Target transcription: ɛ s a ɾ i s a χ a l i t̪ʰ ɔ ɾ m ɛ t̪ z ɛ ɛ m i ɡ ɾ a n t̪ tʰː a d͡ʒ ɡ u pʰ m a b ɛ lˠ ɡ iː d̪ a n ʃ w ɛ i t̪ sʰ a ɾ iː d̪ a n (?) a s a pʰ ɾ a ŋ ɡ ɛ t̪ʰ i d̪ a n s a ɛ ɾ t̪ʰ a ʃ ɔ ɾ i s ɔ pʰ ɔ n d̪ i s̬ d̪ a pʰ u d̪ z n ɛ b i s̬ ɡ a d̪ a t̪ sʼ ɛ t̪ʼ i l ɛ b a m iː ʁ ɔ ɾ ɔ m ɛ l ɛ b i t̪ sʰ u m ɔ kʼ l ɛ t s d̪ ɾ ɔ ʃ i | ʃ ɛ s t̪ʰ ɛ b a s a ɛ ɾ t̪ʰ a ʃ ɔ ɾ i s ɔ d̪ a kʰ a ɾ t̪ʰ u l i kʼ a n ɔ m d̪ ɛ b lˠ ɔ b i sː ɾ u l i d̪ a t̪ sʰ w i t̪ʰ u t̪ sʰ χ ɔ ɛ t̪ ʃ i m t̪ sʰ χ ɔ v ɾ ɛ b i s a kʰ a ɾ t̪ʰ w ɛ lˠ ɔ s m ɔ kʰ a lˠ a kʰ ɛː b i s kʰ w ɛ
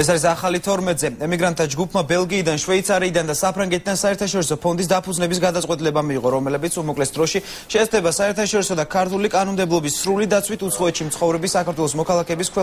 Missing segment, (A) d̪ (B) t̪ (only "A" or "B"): A